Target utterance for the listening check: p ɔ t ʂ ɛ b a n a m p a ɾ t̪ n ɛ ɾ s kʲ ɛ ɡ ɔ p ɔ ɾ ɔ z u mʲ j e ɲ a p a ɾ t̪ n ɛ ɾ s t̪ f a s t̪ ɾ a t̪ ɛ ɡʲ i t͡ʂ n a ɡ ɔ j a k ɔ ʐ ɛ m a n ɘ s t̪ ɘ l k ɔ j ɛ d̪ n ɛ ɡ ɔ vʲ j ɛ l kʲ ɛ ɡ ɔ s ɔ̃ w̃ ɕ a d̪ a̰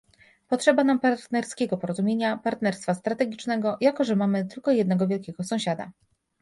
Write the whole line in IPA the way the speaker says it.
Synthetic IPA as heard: p ɔ t ʂ ɛ b a n a m p a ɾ t̪ n ɛ ɾ s kʲ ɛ ɡ ɔ p ɔ ɾ ɔ z u mʲ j e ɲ a p a ɾ t̪ n ɛ ɾ s t̪ f a s t̪ ɾ a t̪ ɛ ɡʲ i t͡ʂ n ɛ ɡ ɔ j a k ɔ ʐ ɛ m a m ɘ t̪ ɘ l k ɔ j ɛ d̪ n ɛ ɡ ɔ vʲ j ɛ l kʲ ɛ ɡ ɔ s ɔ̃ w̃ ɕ a d̪ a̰